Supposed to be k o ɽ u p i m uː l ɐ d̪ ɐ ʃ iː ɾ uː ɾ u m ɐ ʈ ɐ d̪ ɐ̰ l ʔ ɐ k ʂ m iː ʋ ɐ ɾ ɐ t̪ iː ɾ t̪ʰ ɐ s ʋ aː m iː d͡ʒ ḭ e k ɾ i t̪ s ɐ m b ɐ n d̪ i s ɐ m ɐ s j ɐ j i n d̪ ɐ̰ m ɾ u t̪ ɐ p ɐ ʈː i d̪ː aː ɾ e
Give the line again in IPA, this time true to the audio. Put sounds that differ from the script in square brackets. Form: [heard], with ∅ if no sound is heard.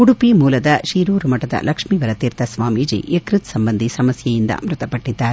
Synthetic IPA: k [u] ɽ u p i m uː l ɐ d̪ ɐ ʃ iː ɾ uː ɾ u m ɐ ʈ ɐ d̪ ɐ̰ l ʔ ɐ k ʂ m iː ʋ ɐ ɾ ɐ t̪ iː ɾ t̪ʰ ɐ s ʋ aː m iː d͡ʒ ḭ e k ɾ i t̪ s ɐ m b ɐ n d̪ i s ɐ m ɐ s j ɐ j i n d̪ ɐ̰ m ɾ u t̪ ɐ p ɐ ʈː i d̪ː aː ɾ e

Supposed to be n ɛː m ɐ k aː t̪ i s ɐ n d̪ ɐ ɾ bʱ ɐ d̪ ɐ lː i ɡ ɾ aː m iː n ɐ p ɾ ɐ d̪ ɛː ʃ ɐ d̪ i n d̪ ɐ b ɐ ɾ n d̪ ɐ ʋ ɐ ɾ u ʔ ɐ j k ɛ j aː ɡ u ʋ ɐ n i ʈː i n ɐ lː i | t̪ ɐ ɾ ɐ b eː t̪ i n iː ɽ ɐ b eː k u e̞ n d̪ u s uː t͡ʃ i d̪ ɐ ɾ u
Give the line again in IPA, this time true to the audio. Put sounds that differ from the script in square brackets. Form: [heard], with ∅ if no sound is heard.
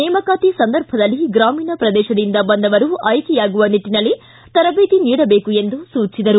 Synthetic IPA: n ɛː m ɐ k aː t̪ i s ɐ n d̪ ɐ ɾ bʱ ɐ d̪ ɐ lː i ɡ ɾ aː m iː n ɐ p ɾ ɐ d̪ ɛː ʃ ɐ d̪ i n d̪ ɐ b ɐ [∅] n d̪ ɐ ʋ ɐ ɾ u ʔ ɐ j k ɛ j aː ɡ u ʋ ɐ n i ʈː i n ɐ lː i | t̪ ɐ ɾ ɐ b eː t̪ i n iː ɽ ɐ b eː k u e̞ n d̪ u s uː t͡ʃ i d̪ ɐ ɾ u

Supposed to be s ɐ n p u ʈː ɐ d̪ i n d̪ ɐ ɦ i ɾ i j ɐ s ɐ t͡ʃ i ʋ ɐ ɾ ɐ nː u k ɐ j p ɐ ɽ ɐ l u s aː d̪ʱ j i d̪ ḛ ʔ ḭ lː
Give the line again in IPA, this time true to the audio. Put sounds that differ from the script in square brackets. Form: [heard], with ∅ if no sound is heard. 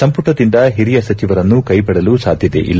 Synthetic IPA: s ɐ [m] p u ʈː ɐ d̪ i n d̪ ɐ ɦ i ɾ i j ɐ s ɐ t͡ʃ i ʋ ɐ ɾ ɐ nː u k ɐ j p ɐ ɽ ɐ l u s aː d̪ʱ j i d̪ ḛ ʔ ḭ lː

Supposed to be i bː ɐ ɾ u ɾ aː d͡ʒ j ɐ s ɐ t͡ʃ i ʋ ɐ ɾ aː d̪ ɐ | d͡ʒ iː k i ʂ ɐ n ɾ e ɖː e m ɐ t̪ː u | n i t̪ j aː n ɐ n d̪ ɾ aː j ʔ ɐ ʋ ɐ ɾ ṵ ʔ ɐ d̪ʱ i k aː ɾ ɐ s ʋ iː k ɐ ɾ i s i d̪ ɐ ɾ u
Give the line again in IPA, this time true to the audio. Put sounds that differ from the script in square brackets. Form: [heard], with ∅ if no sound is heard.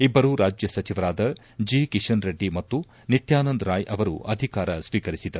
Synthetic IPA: i bː ɐ ɾ u ɾ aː d͡ʒ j ɐ s ɐ t͡ʃ i ʋ ɐ ɾ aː d̪ ɐ | d͡ʒ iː k i ʂ ɐ n ɾ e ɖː [i] m ɐ t̪ː u | n i t̪ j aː n ɐ n d̪ ɾ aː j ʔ ɐ ʋ ɐ ɾ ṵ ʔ ɐ d̪ʱ i k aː ɾ ɐ s ʋ iː k ɐ ɾ i s i d̪ ɐ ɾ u

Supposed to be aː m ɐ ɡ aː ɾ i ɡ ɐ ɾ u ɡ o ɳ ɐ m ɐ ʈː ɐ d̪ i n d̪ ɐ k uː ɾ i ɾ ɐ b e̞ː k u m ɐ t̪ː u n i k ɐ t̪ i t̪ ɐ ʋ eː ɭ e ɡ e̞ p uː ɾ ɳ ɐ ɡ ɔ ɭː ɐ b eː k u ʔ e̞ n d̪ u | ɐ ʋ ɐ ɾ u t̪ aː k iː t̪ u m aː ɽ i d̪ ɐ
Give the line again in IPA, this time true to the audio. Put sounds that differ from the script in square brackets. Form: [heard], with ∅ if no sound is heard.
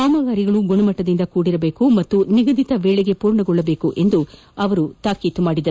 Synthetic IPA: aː m ɐ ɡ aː ɾ i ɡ ɐ [ɭ] u ɡ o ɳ ɐ m ɐ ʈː ɐ d̪ i n d̪ ɐ k uː [ɽ] i ɾ ɐ b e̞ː k u m ɐ t̪ː u n i [ɡ] ɐ [d̪] i t̪ ɐ ʋ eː ɭ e ɡ e̞ p uː ɾ ɳ ɐ ɡ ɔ ɭː ɐ b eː k u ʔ e̞ n d̪ u | ɐ ʋ ɐ ɾ u t̪ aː k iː t̪ u m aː ɽ i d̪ ɐ

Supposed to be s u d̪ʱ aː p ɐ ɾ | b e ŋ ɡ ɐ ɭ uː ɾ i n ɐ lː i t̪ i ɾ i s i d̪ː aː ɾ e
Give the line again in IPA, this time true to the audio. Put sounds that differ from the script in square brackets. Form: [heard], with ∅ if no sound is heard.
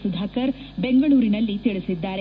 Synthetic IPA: s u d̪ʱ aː [k] ɐ ɾ | b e ŋ ɡ ɐ ɭ uː ɾ i n ɐ lː i t̪ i [ɭ] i s i d̪ː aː ɾ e

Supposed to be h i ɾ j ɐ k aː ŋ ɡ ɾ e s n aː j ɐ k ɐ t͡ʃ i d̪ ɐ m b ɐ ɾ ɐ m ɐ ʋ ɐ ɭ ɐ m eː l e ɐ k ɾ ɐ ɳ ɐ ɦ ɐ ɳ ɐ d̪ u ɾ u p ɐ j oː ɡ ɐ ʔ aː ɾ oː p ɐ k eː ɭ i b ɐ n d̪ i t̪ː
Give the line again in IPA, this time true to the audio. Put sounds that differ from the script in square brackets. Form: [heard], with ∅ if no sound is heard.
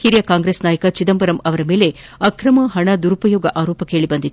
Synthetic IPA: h i ɾ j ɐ k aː ŋ ɡ ɾ e s n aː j ɐ k ɐ t͡ʃ i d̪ ɐ m b ɐ ɾ ɐ m ɐ ʋ ɐ [ɾ] ɐ m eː l e ɐ k ɾ ɐ [m] ɐ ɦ ɐ ɳ ɐ d̪ u ɾ u p ɐ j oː ɡ ɐ ʔ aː ɾ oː p ɐ k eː ɭ i b ɐ n d̪ i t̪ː

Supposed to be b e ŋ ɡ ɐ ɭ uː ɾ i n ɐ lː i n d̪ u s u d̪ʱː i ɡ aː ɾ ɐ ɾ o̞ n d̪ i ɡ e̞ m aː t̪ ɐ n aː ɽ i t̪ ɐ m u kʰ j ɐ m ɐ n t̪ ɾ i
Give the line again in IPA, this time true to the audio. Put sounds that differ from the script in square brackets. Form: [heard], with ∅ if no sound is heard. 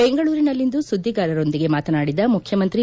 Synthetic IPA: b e ŋ ɡ ɐ ɭ uː ɾ i n ɐ lː i n d̪ u s u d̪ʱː i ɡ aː ɾ ɐ ɾ o̞ n d̪ i ɡ e̞ m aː t̪ ɐ n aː ɽ i [d̪] ɐ m u kʰ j ɐ m ɐ n t̪ ɾ i

